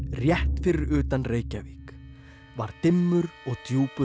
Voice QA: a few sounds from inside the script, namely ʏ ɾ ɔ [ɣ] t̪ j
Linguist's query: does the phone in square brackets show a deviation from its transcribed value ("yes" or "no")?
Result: no